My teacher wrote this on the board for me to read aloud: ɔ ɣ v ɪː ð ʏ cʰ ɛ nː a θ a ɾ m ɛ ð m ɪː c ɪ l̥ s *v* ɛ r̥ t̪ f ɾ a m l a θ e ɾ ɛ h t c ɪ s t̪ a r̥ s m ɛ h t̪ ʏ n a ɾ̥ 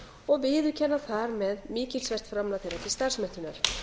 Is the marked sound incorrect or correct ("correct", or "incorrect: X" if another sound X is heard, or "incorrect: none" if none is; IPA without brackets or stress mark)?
correct